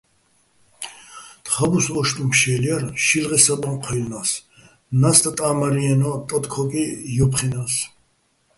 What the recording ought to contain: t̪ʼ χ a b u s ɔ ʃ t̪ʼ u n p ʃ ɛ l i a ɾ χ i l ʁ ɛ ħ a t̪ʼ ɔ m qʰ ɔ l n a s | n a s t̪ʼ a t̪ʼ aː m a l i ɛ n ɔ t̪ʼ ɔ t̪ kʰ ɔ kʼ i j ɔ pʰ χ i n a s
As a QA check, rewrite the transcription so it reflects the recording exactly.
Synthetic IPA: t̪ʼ χ a b u s ɔ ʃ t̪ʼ u m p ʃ ɛ l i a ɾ ʃ i l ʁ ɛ s a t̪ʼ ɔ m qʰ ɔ l n a s | n a s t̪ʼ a t̪ʼ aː m a ɾ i ɛ n ɔ t̪ʼ ɔ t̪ kʰ ɔ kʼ i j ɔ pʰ χ i n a s